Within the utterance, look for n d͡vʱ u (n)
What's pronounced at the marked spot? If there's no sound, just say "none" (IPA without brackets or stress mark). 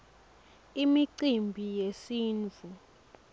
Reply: none